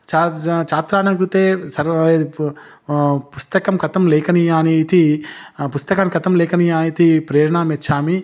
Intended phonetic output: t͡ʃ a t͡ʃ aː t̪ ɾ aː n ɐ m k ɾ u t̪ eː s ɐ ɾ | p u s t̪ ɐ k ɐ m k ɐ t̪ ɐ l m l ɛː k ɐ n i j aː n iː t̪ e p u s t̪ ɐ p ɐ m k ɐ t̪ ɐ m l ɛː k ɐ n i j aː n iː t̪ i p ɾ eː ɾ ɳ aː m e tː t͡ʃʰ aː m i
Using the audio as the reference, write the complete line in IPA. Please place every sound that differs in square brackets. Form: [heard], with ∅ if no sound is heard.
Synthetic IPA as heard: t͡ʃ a t͡ʃ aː t̪ ɾ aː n ɐ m k ɾ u t̪ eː s ɐ ɾ | p u s t̪ ɐ k ɐ m k ɐ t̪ ɐ [∅] m l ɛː k ɐ n i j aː n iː t̪ [i] p u s t̪ ɐ [k] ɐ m k ɐ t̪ ɐ m l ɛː k ɐ n i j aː n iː t̪ i p ɾ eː ɾ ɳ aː m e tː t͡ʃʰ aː m i